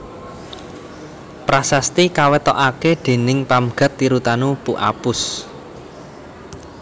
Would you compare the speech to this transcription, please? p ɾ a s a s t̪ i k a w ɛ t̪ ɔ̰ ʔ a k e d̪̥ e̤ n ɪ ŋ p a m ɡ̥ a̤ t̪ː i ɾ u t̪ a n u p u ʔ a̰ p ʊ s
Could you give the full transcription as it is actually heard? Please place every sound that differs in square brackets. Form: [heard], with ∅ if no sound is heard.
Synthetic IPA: p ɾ a s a s t̪ i k a w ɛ t̪ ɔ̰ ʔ a k e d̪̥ e̤ n ɪ ŋ p a m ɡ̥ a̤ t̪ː i ɾ u t̪ a n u p u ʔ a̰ p ʊ s